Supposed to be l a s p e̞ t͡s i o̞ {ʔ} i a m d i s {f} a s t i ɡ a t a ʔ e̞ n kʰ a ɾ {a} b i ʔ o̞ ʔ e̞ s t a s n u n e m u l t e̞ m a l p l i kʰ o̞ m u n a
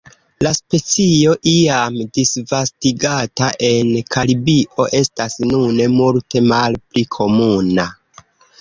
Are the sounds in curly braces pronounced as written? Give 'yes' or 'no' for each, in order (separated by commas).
yes, no, no